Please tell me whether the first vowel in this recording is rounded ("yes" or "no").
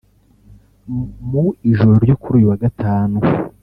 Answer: yes